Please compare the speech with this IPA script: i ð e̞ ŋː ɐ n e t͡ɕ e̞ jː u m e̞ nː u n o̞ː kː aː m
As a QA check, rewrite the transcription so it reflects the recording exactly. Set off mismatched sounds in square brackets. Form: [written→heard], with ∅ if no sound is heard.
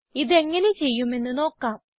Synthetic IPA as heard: i ð e̞ ŋː ɐ n e t͡ɕ e̞ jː u m e̞ nː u n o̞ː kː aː m